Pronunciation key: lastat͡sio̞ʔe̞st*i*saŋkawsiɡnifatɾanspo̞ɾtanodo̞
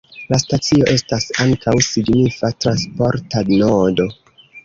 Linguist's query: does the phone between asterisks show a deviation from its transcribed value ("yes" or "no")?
yes